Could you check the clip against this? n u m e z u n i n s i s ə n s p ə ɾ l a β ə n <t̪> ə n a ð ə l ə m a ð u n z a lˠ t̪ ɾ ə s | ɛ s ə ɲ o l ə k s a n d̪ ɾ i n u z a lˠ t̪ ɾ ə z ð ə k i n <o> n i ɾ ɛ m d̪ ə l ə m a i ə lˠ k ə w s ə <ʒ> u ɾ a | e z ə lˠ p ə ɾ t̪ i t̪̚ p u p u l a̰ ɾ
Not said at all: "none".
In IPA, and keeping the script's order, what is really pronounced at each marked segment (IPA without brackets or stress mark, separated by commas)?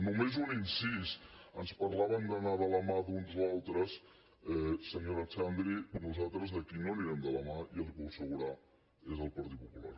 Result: d̪, o, ɣ